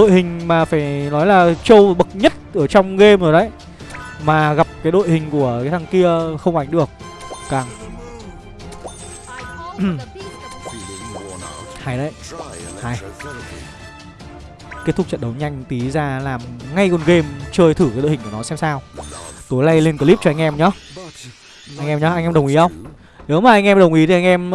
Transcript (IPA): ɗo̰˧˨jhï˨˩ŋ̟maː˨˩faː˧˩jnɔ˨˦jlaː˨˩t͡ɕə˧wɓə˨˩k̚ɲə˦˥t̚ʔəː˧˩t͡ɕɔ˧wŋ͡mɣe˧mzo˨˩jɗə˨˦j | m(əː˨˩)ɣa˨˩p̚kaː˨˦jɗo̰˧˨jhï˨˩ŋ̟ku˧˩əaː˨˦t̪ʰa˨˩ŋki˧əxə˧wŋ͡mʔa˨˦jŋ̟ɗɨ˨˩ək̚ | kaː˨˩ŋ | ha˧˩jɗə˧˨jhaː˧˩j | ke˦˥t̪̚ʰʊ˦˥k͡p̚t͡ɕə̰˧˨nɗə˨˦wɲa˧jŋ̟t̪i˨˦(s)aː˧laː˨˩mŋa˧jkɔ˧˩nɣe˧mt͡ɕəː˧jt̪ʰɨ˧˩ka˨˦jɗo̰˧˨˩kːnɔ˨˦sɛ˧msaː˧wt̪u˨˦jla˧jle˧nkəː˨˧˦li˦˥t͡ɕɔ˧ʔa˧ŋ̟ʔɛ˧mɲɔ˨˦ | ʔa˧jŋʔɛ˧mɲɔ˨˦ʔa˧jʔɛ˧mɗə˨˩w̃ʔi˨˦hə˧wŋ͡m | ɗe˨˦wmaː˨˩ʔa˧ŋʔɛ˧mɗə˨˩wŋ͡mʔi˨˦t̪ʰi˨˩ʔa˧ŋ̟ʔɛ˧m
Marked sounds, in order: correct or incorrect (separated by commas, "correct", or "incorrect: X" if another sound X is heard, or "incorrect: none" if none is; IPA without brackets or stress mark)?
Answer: incorrect: aː˨˩, incorrect: z